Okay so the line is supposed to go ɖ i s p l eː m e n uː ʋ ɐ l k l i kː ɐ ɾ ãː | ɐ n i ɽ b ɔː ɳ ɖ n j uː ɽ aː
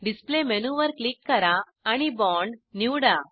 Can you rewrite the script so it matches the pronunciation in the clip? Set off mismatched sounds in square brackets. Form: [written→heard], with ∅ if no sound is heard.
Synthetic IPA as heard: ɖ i s p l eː m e n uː ʋ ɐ [l→ɾ] k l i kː ɐ ɾ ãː | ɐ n i [ɽ→∅] b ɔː ɳ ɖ n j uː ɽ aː